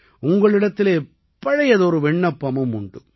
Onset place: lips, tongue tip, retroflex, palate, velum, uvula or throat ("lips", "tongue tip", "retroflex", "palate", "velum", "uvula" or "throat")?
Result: velum